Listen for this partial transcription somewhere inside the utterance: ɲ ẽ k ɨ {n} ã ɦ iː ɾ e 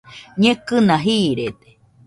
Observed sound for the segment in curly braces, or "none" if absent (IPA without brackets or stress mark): n